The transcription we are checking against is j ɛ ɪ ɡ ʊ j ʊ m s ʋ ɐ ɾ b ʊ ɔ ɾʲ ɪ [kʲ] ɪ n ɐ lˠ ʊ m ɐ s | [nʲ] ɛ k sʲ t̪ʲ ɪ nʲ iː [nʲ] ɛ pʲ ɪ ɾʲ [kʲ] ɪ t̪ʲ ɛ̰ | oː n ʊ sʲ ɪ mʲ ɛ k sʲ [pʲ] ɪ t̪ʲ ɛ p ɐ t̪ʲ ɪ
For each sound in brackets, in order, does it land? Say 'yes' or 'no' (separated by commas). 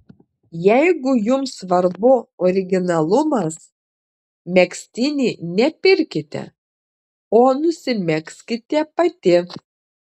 no, no, yes, yes, no